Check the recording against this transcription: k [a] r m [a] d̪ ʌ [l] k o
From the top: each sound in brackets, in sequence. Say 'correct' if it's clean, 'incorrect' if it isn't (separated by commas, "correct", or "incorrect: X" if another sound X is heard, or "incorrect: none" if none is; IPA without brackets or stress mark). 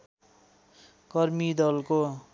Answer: incorrect: ʌ, incorrect: i, correct